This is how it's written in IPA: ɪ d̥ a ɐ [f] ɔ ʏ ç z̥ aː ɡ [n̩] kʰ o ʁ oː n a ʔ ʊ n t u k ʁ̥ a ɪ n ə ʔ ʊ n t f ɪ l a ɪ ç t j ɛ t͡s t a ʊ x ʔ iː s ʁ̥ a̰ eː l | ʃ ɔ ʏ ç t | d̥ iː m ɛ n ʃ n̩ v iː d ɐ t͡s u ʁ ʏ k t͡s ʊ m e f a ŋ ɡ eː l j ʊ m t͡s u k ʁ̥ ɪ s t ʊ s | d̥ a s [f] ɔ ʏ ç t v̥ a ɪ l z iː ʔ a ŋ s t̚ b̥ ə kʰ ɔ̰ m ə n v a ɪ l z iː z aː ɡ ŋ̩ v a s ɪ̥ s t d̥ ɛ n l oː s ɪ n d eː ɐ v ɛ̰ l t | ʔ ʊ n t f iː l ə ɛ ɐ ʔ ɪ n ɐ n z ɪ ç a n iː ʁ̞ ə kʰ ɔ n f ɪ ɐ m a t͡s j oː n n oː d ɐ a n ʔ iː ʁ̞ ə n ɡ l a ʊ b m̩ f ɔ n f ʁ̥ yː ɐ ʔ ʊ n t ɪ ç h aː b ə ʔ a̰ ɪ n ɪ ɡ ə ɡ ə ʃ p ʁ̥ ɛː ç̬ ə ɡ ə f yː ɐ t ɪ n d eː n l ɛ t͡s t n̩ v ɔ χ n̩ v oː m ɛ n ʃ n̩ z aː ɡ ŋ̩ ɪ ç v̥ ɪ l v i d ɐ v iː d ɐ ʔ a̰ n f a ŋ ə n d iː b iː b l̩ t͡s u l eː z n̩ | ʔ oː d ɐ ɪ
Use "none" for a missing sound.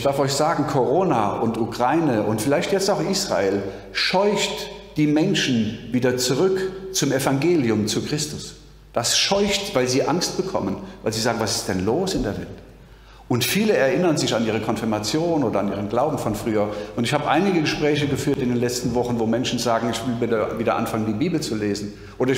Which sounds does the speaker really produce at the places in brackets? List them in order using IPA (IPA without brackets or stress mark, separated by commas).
f, ŋ̩, ʃ